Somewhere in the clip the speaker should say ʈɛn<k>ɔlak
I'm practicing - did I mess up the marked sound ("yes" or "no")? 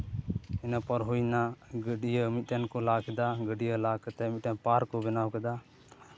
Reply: no